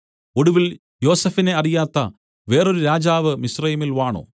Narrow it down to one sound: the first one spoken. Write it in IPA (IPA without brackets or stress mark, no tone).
o̞